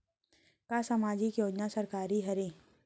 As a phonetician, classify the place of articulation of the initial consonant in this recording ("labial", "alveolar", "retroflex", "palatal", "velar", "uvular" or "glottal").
velar